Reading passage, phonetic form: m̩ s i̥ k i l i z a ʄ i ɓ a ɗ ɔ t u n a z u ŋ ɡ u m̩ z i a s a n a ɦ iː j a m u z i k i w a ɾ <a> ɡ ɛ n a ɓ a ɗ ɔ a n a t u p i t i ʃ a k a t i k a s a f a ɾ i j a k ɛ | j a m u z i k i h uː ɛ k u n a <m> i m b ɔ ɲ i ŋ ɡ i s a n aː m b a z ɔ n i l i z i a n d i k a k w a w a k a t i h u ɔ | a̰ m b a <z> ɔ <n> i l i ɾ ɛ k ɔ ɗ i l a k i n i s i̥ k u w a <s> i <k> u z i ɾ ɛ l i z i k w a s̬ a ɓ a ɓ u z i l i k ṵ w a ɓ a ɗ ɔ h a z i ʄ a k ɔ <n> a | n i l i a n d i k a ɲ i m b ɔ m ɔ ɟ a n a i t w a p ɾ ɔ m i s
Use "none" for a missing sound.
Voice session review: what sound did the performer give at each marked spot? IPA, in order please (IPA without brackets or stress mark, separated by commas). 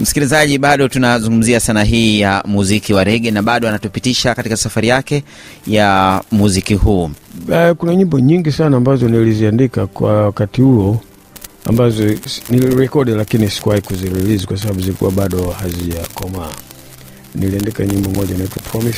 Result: ɛ, ɲ, z, n, h, k, m